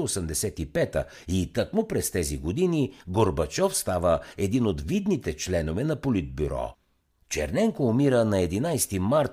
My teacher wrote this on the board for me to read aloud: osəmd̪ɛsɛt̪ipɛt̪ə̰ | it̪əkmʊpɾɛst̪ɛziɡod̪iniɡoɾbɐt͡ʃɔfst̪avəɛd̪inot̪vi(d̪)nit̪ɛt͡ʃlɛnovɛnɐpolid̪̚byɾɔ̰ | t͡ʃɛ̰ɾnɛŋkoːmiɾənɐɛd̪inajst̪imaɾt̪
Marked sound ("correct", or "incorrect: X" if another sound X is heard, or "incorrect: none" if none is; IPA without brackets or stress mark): correct